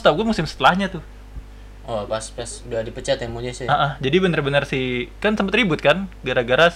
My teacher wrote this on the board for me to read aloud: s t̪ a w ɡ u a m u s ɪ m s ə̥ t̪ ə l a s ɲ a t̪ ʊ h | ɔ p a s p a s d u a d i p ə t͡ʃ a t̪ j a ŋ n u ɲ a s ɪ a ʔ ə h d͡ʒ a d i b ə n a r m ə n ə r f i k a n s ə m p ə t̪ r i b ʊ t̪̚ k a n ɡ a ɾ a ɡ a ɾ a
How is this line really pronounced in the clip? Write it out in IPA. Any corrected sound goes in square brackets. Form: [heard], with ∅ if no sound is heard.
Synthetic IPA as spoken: s t̪ a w ɡ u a m u s ɪ m s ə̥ t̪ ə l a [h] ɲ a t̪ ʊ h | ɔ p a s p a s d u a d i p ə t͡ʃ a t̪ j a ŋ [m] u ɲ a s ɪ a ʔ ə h d͡ʒ a d i b ə n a r [b] ə n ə r [s] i k a n s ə m p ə t̪ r i b ʊ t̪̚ k a n ɡ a ɾ a ɡ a ɾ a